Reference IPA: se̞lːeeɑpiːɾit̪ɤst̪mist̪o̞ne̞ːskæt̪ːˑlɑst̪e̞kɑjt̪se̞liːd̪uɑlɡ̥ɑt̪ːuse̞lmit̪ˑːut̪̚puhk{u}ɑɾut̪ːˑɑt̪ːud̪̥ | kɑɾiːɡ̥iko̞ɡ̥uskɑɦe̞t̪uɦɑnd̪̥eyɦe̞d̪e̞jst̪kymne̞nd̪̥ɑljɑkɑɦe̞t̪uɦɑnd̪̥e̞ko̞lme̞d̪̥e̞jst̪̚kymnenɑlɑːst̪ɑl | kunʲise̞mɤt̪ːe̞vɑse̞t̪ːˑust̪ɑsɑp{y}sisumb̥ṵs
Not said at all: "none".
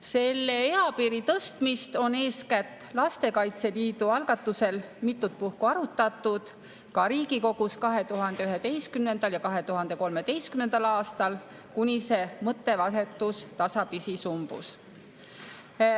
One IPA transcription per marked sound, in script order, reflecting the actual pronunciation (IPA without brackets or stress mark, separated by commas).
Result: u, i